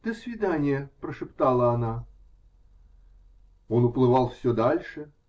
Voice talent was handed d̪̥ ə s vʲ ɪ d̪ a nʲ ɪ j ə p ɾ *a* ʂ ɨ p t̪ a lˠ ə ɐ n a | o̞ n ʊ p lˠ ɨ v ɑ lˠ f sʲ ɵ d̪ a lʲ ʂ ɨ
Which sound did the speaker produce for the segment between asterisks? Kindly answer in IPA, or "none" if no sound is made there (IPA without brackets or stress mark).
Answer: ə